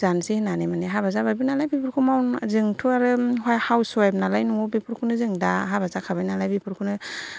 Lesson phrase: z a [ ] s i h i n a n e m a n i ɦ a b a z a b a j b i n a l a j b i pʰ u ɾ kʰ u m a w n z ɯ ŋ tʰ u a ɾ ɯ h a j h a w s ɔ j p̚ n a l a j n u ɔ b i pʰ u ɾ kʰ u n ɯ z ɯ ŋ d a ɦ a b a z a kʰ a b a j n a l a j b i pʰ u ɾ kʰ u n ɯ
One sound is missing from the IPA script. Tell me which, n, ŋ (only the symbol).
n